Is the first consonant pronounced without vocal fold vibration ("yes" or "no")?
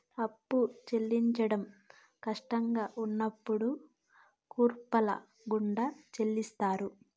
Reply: yes